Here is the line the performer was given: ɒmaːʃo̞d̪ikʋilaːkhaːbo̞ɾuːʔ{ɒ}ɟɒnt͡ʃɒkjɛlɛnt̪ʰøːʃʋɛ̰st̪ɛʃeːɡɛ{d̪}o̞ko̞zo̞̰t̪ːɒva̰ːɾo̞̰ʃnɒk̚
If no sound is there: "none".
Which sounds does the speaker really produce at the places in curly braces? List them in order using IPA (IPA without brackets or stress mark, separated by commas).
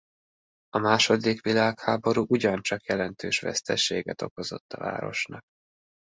u, t̪